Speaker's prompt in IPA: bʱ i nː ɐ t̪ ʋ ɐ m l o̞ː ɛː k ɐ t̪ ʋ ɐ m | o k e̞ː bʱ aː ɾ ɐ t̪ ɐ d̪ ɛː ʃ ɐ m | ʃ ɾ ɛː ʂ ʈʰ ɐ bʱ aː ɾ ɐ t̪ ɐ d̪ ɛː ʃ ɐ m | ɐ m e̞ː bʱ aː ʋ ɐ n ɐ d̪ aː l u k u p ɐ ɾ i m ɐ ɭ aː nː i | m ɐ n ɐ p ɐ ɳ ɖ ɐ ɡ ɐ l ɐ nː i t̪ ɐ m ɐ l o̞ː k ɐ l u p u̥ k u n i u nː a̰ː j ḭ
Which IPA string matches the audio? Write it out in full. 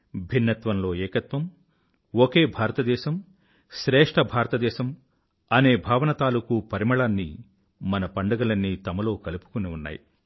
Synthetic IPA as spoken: bʱ i nː ɐ t̪ ʋ ɐ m l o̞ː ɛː k ɐ t̪ ʋ ɐ m | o k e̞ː bʱ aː ɾ ɐ t̪ ɐ d̪ ɛː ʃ ɐ m | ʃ ɾ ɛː ʂ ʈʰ ɐ bʱ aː ɾ ɐ t̪ ɐ d̪ ɛː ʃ ɐ m | ɐ n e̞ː bʱ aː ʋ ɐ n ɐ t̪ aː l u k u p ɐ ɾ i m ɐ ɭ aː nː i | m ɐ n ɐ p ɐ ɳ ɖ ɐ ɡ ɐ l ɐ nː i t̪ ɐ m ɐ l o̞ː k ɐ l u p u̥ k u n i u nː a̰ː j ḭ